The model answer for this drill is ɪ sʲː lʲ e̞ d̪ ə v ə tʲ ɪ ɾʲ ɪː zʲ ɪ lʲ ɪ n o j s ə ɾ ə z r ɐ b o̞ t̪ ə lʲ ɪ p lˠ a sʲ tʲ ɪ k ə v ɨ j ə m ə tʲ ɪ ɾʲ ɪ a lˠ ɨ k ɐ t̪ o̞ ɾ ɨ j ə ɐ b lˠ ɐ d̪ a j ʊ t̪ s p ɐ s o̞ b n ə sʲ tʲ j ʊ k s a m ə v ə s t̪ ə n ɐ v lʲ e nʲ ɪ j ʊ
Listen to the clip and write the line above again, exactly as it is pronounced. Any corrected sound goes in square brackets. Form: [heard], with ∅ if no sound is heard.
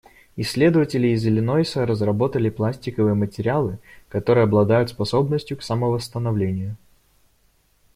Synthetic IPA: ɪ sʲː lʲ e̞ d̪ ə v ə tʲ ɪ [lʲ] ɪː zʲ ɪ lʲ ɪ n o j s ə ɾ ə z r ɐ b o̞ t̪ ə lʲ ɪ p lˠ a sʲ tʲ ɪ k ə v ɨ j ə m ə tʲ ɪ ɾʲ ɪ a lˠ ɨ k ɐ t̪ o̞ ɾ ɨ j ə ɐ b lˠ ɐ d̪ a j ʊ t̪ s p ɐ s o̞ b n ə sʲ tʲ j ʊ k s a m ə v ə s t̪ ə n ɐ v lʲ e nʲ ɪ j ʊ